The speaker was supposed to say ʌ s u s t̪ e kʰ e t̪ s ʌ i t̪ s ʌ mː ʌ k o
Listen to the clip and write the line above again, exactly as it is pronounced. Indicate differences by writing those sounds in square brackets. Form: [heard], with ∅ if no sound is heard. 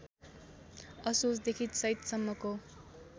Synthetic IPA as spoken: ʌ s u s [d̪] e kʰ [i] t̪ s ʌ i t̪ s ʌ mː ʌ k o